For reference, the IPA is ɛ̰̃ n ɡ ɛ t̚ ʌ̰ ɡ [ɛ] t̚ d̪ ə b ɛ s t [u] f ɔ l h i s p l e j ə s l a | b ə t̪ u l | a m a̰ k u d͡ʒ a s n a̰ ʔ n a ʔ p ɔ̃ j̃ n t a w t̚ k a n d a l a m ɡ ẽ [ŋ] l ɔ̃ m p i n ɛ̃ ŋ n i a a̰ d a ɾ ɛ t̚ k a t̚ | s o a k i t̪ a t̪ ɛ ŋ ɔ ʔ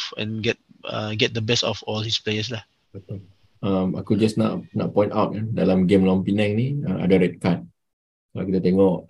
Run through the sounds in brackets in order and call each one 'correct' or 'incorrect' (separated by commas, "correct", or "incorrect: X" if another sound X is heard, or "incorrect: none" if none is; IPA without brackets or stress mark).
correct, incorrect: ɔ, incorrect: m